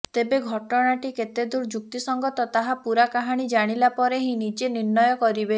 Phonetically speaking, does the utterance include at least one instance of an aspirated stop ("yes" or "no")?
no